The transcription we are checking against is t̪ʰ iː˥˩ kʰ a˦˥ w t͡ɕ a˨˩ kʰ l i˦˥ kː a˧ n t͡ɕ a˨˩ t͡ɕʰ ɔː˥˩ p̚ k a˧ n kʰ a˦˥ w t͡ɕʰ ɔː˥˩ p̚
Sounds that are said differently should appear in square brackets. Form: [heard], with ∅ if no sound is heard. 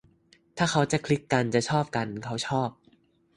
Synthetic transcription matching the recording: t̪ʰ [aː˥˩] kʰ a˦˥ w t͡ɕ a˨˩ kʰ l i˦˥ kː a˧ n t͡ɕ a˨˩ t͡ɕʰ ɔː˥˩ p̚ k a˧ n kʰ a˦˥ w t͡ɕʰ ɔː˥˩ p̚

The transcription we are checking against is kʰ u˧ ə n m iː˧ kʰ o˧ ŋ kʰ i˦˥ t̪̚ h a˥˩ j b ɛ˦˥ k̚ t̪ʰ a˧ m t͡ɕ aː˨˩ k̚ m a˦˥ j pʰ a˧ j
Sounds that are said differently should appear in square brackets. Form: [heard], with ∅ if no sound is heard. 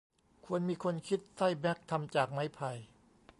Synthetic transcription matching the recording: kʰ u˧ ə n m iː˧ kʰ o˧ [n] kʰ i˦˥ t̪̚ [s] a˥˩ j b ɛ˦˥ k̚ t̪ʰ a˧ m t͡ɕ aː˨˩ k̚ m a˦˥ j pʰ a˧ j

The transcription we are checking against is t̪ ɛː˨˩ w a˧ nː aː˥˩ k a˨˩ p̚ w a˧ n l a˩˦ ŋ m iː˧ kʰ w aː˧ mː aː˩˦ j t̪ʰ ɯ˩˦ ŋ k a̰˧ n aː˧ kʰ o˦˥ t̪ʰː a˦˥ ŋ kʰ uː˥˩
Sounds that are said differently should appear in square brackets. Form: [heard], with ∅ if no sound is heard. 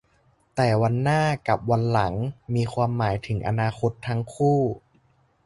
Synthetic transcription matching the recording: t̪ ɛː˨˩ w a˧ nː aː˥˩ k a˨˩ p̚ w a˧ n l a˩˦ ŋ m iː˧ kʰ w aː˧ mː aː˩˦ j t̪ʰ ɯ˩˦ ŋ [ʔ] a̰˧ n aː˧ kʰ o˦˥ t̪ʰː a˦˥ ŋ kʰ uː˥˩

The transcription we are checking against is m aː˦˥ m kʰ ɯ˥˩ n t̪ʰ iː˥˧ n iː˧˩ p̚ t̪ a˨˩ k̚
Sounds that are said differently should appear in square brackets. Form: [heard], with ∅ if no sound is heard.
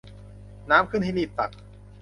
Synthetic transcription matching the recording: [n] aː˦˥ m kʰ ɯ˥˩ n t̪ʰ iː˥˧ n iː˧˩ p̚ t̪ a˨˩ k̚

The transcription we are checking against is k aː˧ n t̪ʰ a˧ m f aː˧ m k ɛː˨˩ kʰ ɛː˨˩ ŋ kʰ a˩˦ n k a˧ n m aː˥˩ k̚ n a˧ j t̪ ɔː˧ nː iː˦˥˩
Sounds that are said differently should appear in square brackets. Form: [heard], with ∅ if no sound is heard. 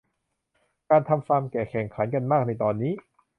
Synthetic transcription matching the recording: k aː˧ n t̪ʰ a˧ m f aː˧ m k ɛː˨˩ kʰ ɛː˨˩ ŋ kʰ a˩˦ n k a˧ n m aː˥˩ k̚ n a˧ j t̪ ɔː˧ nː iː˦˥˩

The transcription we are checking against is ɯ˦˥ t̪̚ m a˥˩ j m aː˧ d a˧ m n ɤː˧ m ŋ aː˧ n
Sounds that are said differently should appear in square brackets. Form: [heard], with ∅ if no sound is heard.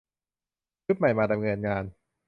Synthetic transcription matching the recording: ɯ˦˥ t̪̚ m [a˨˩] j m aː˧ d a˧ m [ŋ] ɤː˧ [n] ŋ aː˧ n

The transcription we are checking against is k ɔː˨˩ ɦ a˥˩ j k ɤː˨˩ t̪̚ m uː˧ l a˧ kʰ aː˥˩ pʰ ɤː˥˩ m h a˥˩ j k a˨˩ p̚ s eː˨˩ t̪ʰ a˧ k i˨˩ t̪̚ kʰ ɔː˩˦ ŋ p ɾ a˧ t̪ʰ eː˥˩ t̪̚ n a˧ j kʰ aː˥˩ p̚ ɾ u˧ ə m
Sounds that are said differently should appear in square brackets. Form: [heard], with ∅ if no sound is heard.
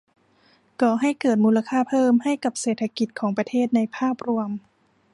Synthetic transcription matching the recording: k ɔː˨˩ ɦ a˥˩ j k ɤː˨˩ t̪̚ m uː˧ l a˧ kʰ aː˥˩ pʰ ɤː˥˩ m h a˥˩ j k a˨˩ p̚ s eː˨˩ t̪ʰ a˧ k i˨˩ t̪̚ kʰ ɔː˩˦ ŋ p ɾ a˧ t̪ʰ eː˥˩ t̪̚ n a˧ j [pʰ] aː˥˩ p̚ ɾ u˧ ə m

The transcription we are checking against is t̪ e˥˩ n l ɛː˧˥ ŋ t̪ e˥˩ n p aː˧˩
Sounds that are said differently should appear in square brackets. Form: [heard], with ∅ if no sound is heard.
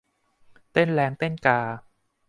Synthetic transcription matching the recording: t̪ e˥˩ n l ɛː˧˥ ŋ t̪ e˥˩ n [k] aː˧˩

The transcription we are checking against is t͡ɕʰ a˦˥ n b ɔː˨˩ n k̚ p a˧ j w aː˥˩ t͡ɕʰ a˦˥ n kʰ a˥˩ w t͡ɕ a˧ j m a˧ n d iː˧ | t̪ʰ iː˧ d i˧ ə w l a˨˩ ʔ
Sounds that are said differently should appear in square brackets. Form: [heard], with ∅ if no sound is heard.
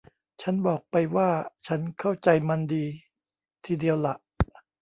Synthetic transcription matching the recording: t͡ɕʰ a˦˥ n b ɔː˨˩ [∅] k̚ p a˧ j w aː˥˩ t͡ɕʰ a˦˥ n kʰ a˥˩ w t͡ɕ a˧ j m a˧ n d iː˧ | t̪ʰ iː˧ d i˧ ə w l a˨˩ ʔ

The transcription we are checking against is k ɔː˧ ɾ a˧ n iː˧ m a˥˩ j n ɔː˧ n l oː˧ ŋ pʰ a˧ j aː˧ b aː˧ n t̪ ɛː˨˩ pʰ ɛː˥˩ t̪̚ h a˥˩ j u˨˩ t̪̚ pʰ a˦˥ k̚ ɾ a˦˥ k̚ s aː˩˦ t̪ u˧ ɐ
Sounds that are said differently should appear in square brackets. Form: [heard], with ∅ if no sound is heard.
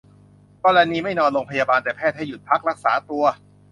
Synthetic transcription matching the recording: k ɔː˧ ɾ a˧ n iː˧ m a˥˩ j n ɔː˧ n l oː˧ ŋ pʰ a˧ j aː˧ b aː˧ n t̪ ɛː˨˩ pʰ ɛː˥˩ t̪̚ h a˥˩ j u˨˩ t̪̚ pʰ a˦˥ k̚ ɾ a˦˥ k̚ s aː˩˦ t̪ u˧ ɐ

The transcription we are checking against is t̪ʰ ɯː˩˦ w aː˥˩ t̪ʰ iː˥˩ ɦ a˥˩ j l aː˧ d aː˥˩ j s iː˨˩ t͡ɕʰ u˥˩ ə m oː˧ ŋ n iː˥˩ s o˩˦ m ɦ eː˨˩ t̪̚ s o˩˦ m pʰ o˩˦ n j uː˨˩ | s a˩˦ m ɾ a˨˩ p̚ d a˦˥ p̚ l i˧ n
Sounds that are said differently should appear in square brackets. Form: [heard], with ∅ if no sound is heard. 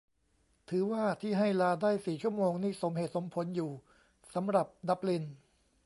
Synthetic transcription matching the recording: t̪ʰ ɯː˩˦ w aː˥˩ t̪ʰ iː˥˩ ɦ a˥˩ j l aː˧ d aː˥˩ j s iː˨˩ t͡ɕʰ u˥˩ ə m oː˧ ŋ n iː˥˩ s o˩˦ m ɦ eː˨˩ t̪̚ s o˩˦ m pʰ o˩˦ n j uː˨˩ | s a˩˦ m ɾ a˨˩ p̚ d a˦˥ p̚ l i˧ n

